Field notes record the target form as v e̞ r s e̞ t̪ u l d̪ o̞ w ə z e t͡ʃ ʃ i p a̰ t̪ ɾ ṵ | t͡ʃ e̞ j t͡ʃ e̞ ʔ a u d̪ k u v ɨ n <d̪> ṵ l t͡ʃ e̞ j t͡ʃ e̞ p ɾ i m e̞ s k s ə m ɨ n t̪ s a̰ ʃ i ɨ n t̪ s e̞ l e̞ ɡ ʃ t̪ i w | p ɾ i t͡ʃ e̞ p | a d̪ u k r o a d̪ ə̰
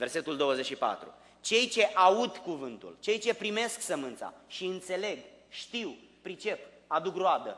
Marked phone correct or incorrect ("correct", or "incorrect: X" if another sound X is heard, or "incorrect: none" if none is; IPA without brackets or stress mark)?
incorrect: t̪